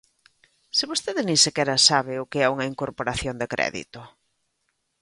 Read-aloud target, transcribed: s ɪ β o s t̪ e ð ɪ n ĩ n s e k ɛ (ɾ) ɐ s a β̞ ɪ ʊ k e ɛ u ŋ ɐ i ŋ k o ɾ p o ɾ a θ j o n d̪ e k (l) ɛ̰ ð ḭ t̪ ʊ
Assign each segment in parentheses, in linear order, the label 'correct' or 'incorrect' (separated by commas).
correct, incorrect